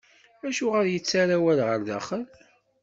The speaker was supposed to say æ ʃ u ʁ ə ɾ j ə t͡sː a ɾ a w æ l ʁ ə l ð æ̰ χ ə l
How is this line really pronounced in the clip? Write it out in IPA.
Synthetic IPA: æ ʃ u ʁ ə ɾ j ə t͡sː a ɾ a w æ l ʁ ə ɾ ð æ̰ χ ə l